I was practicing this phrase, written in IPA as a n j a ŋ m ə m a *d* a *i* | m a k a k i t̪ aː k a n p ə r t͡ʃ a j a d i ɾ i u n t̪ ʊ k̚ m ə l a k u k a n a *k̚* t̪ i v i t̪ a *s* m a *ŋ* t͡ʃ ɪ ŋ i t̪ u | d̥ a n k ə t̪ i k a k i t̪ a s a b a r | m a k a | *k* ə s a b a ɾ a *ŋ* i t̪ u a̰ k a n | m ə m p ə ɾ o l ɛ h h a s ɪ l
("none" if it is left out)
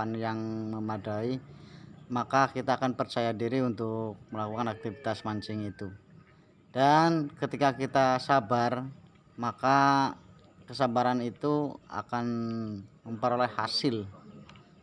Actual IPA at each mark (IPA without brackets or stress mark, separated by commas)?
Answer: d, i, k̚, s, ɲ, k, n